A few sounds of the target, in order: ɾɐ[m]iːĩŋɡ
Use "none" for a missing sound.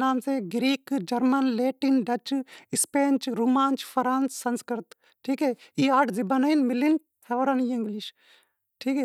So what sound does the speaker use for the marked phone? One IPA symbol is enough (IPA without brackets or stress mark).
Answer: n